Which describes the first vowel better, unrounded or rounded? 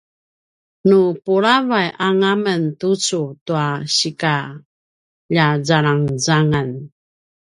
rounded